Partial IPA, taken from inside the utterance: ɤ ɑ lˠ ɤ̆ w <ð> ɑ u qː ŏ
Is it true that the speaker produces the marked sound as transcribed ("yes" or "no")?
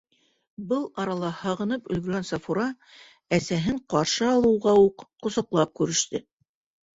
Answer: no